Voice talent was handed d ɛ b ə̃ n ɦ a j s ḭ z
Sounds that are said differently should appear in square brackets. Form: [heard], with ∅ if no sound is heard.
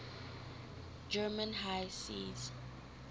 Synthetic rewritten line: [d͡ʒ] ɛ [m] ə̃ n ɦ a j s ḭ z